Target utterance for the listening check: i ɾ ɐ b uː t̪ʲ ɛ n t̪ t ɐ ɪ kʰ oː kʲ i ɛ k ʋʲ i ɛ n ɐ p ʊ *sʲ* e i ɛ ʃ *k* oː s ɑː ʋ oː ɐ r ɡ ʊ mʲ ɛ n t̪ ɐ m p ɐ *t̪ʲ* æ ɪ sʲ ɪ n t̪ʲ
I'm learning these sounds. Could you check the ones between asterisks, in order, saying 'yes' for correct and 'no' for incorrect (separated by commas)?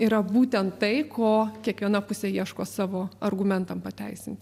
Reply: yes, yes, yes